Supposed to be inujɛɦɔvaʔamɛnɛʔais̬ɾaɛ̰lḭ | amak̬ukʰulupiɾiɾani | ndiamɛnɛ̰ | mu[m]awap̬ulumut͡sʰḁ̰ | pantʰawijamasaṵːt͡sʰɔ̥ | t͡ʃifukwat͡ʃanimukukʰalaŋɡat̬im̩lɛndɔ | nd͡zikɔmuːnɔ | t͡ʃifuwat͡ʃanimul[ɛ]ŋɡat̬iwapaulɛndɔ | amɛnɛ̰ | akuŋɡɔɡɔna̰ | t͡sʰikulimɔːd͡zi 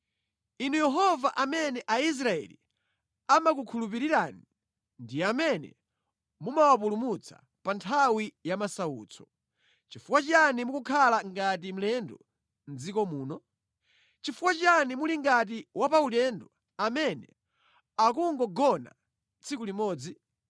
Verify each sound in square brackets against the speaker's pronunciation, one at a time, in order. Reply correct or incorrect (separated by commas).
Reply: correct, incorrect